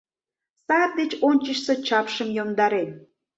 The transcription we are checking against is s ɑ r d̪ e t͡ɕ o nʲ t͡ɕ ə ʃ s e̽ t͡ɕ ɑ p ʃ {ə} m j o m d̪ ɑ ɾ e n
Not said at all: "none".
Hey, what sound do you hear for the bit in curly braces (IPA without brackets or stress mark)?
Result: ə